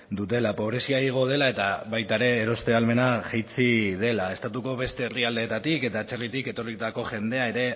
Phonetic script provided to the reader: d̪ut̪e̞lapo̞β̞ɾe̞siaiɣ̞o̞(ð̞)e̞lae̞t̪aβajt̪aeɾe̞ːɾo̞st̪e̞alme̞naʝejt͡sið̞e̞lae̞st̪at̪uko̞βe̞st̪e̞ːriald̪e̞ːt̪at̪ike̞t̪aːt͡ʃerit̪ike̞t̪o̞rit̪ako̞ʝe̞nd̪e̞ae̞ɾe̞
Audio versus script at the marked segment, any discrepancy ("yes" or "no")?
no